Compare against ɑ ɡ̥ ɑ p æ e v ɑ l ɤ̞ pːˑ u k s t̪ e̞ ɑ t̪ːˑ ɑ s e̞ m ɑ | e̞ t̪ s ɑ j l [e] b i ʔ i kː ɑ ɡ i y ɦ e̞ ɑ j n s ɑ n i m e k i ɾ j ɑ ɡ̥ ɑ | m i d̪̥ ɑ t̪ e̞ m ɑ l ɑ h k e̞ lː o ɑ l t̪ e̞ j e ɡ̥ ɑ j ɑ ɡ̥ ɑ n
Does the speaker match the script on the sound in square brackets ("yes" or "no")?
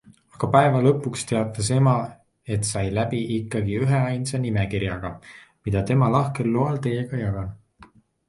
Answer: no